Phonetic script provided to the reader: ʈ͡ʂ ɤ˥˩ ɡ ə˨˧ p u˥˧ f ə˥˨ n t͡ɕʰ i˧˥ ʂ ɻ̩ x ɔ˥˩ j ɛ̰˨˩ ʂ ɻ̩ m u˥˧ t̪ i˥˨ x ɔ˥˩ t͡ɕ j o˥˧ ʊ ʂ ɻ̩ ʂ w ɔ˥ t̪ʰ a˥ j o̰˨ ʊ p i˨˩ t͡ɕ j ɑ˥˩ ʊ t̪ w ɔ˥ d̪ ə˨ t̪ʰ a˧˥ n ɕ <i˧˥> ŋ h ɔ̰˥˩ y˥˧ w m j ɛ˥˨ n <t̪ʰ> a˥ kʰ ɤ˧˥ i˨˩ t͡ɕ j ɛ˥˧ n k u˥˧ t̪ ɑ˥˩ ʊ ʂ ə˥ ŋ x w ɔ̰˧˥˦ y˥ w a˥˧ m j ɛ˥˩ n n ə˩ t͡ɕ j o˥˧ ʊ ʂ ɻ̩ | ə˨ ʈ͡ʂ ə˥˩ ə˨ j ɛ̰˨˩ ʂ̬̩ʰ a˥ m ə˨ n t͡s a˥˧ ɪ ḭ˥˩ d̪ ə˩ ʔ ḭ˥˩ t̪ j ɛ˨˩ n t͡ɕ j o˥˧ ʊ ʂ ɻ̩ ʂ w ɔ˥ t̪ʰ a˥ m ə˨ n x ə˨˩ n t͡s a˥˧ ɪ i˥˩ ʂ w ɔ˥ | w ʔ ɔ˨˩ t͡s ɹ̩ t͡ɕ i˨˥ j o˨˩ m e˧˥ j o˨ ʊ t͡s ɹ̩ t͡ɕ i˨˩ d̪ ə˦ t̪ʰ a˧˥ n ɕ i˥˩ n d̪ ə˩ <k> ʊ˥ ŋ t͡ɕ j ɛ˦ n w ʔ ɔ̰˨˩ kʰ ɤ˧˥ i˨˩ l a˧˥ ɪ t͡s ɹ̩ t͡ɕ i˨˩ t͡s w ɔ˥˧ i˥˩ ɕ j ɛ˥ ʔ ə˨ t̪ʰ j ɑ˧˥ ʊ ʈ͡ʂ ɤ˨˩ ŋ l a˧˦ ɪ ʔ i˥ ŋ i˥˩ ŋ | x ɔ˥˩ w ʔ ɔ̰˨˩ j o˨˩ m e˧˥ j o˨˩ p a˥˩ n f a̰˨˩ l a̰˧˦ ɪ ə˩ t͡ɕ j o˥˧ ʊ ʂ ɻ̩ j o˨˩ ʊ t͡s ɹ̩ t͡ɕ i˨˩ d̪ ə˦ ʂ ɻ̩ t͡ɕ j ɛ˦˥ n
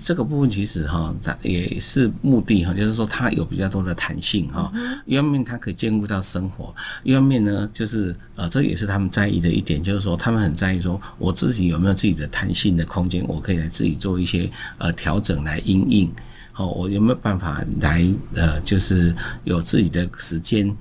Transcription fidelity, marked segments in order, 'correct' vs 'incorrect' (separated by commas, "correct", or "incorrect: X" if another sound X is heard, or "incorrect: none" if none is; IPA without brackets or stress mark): incorrect: i˥˩, correct, incorrect: kʰ